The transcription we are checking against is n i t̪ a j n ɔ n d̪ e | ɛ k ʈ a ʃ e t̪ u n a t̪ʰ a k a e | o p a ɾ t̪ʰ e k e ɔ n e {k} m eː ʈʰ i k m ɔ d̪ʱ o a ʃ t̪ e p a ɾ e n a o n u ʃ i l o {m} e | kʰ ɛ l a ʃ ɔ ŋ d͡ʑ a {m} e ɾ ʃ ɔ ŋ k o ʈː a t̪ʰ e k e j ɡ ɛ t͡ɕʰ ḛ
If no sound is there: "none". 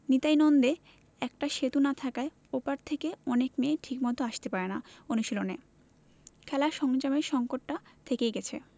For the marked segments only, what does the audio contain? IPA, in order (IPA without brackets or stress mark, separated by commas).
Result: k, n, m